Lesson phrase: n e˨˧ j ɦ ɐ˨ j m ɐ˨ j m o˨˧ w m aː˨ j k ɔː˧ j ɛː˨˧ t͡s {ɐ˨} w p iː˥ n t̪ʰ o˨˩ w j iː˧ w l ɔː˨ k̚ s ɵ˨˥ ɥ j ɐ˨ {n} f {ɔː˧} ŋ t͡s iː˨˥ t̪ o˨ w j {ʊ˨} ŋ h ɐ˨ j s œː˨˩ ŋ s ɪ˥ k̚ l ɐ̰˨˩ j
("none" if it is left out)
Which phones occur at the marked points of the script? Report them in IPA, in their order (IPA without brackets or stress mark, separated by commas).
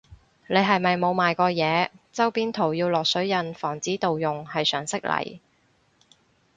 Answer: ɐ˥, n, ɔː˨˩, ʊ˨